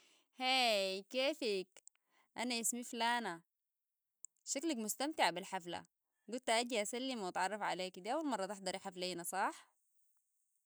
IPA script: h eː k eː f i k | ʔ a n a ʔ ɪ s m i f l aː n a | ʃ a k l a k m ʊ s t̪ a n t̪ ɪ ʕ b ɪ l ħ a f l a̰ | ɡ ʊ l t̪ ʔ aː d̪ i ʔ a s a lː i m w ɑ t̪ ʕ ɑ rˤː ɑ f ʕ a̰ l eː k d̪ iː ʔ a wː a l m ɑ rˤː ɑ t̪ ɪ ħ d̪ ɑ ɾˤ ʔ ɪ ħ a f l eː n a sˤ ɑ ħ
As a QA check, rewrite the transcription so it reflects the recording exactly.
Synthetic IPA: h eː k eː f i k | ʔ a n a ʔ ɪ s m i f l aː n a | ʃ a k l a k m ʊ s t̪ a m t̪ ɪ ʕ b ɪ l ħ a f l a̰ | ɡ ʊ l t̪ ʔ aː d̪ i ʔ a s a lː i m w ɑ t̪ ʕ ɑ rˤː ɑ f ʕ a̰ l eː k d̪ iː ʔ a wː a l m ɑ rˤː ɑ t̪ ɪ ħ d̪ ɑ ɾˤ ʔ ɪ ħ a f l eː n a sˤ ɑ ħ